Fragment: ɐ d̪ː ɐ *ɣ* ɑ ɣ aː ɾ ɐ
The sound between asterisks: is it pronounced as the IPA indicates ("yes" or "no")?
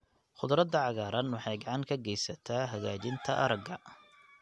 no